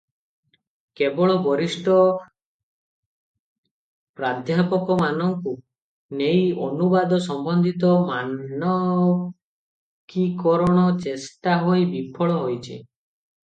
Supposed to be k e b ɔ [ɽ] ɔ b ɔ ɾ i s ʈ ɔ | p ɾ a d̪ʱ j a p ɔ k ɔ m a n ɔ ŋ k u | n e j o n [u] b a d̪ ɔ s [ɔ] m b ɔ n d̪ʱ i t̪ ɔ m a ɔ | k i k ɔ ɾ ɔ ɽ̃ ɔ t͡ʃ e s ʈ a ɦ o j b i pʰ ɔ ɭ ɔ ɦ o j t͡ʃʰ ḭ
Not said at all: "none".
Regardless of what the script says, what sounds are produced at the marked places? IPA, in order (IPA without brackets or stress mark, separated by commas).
ɭ, u, ɔ